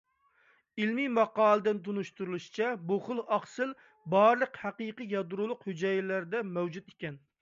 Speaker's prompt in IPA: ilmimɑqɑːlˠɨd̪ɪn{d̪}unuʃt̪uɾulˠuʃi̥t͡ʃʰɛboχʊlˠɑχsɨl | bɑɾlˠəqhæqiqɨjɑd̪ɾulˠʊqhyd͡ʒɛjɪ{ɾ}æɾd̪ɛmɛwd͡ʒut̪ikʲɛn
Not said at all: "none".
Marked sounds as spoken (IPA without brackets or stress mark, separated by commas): t̪, l